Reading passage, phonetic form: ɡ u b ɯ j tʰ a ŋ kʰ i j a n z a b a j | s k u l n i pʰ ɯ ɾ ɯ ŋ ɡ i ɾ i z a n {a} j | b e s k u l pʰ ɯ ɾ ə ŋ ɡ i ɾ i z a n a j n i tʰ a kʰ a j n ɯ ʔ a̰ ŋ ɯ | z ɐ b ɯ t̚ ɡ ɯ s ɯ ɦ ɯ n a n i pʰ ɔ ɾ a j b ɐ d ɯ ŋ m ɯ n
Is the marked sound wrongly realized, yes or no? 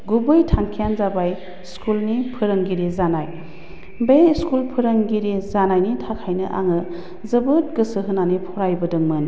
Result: no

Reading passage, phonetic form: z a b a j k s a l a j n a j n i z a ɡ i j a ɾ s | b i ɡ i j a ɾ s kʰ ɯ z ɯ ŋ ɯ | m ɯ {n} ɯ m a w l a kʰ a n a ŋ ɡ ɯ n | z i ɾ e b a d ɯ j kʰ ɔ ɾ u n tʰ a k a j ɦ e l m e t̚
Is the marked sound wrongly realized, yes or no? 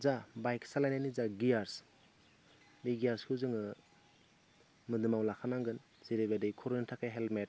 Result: yes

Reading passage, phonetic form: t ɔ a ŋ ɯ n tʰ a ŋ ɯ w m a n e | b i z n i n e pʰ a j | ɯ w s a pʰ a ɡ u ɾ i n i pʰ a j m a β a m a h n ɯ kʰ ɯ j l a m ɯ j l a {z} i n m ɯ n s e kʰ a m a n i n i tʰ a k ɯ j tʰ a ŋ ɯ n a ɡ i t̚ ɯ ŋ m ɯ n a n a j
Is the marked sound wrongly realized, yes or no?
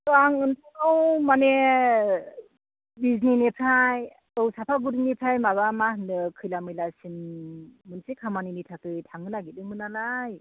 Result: yes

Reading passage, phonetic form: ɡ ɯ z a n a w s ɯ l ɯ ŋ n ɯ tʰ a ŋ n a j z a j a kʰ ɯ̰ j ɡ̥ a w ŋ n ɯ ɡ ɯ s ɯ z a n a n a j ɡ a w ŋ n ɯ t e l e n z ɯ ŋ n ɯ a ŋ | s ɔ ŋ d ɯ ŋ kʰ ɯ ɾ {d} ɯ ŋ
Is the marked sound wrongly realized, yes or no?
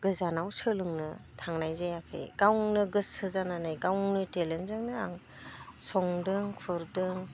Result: no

